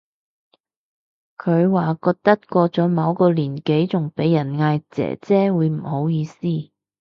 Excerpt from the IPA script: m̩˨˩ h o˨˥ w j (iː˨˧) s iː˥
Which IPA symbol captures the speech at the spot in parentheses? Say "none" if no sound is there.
iː˨˧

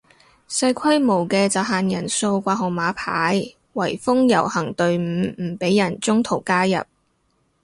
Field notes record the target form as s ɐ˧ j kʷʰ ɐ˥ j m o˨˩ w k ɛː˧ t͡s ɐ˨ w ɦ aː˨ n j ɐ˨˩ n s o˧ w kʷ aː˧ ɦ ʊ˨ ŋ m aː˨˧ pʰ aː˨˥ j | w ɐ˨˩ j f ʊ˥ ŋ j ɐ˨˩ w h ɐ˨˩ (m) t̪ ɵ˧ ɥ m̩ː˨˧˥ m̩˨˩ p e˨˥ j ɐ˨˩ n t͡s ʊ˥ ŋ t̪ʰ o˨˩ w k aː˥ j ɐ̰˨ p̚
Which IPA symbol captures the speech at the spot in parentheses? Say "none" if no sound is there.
ŋ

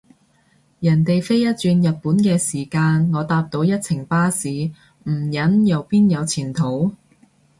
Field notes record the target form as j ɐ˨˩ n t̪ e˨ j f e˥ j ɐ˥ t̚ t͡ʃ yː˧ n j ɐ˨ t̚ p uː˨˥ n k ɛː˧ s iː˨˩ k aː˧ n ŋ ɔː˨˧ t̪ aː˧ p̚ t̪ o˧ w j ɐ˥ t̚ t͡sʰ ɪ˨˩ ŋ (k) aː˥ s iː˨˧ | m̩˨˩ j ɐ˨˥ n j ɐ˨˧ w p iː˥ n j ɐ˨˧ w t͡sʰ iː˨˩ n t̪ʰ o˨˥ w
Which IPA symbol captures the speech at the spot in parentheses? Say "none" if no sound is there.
p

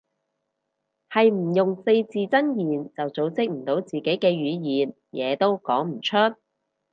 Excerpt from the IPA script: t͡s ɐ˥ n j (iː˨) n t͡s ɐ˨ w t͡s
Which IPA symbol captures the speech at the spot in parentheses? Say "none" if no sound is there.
iː˨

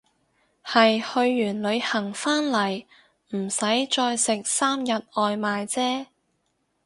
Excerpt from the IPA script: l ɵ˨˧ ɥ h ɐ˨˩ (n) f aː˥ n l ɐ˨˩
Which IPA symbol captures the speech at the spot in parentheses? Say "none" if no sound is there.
ŋ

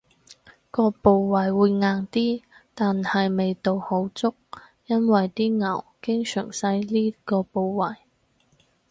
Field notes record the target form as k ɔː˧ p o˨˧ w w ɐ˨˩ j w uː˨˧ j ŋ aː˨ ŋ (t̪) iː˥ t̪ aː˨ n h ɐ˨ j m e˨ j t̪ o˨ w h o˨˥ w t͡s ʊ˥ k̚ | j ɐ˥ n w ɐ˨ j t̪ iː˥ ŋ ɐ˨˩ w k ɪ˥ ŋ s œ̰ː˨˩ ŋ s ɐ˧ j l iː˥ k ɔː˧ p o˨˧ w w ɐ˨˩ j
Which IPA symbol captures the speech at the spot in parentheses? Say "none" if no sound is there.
t̪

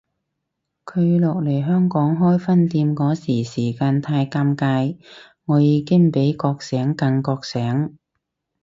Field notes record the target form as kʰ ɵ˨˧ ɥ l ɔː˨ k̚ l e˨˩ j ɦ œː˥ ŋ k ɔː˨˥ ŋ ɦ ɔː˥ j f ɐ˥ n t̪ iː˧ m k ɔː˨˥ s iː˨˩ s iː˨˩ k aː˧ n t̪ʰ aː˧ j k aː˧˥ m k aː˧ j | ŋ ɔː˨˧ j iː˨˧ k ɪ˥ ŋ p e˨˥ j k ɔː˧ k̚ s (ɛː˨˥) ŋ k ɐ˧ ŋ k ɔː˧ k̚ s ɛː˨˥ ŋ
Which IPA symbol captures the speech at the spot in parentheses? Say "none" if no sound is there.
ɛː˨˥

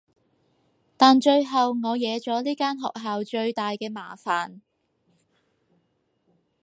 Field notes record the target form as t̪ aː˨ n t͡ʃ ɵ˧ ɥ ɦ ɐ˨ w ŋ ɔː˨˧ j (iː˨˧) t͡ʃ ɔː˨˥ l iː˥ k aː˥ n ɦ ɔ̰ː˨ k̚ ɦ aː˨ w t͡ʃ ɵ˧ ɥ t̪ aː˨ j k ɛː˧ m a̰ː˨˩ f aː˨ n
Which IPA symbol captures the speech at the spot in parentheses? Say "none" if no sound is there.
ɛː˨˧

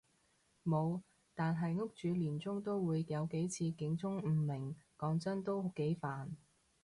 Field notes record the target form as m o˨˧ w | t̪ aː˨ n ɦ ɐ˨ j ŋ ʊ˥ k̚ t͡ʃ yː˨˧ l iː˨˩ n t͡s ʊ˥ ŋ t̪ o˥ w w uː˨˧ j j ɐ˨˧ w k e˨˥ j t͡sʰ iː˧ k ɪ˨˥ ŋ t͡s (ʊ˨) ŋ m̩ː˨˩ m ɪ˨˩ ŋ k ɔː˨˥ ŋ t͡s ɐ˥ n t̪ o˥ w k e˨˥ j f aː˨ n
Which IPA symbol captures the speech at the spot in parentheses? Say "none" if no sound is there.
ʊ˥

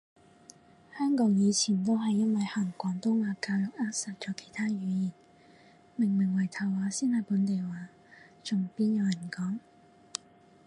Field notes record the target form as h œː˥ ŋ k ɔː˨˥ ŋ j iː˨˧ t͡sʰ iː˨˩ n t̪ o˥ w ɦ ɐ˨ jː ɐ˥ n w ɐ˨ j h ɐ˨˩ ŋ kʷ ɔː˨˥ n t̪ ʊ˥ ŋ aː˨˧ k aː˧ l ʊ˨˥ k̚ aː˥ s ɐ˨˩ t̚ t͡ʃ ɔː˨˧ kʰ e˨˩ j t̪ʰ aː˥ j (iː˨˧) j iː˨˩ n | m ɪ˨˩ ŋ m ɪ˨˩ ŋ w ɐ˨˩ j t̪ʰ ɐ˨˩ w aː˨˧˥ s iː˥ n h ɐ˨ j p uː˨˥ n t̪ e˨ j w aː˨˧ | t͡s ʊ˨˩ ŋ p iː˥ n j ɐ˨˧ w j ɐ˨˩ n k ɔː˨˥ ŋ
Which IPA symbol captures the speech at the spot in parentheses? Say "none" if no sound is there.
yː˨˧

